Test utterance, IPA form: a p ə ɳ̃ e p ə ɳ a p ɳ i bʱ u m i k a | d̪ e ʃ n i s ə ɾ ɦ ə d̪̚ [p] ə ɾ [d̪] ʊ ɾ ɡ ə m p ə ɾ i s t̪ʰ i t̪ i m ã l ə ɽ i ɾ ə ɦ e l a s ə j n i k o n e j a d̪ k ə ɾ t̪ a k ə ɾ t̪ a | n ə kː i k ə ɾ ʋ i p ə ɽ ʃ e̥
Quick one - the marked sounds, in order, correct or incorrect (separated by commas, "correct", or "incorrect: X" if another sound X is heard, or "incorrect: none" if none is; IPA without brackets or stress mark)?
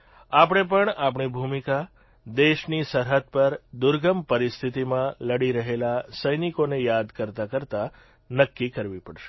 correct, correct